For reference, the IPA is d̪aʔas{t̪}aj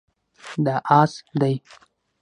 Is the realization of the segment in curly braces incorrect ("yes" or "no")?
yes